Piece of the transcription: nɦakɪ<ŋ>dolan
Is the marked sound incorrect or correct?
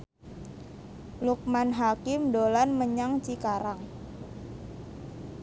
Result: incorrect